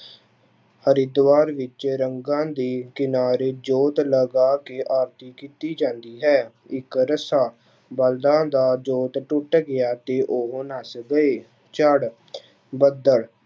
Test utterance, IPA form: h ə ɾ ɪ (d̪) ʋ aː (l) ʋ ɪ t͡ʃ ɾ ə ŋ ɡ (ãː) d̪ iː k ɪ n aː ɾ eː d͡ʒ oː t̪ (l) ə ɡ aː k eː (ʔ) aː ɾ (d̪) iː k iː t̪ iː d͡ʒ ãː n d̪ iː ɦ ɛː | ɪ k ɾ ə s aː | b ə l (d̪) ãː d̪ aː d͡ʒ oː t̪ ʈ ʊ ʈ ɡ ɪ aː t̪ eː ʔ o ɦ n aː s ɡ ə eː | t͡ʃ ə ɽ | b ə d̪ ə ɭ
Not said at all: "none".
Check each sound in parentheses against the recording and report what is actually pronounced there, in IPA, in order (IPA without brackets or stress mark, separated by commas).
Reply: d̪, ɾ, ãː, l, ʔ, t̪, d̪